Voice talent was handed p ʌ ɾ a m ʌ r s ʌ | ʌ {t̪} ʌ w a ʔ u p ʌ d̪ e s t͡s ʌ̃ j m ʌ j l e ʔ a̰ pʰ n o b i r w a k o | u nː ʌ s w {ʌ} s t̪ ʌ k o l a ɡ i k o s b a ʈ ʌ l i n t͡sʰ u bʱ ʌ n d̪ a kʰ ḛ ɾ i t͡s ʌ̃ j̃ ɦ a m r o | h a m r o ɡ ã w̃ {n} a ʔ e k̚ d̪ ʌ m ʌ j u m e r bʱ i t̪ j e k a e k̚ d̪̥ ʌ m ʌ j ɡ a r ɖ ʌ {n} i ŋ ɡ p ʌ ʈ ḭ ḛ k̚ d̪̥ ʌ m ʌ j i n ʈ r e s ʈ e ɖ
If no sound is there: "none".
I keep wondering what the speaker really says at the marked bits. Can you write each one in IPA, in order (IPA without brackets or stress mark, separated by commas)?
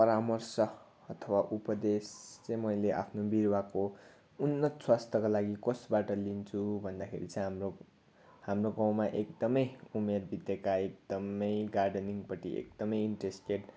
t̪ʰ, a, m, n